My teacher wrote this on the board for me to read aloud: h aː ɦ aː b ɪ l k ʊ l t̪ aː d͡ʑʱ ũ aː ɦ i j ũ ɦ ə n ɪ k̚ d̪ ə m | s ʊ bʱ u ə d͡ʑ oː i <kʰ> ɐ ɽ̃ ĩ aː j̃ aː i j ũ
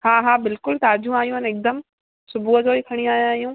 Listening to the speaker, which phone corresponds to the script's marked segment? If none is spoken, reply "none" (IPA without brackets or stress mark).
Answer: kʰ